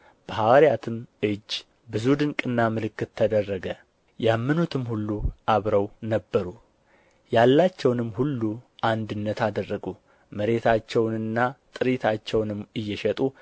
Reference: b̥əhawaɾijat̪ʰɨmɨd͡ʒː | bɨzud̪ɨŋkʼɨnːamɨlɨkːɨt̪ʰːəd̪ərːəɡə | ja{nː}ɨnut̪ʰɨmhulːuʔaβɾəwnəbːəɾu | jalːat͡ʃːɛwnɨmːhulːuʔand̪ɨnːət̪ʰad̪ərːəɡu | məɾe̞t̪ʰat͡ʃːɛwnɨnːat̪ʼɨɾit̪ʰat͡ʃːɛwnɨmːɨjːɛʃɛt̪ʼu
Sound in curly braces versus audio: incorrect: mː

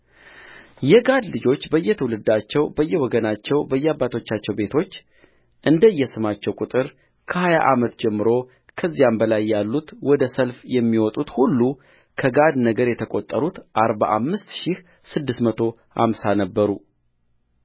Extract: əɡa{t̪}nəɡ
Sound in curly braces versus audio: incorrect: d̪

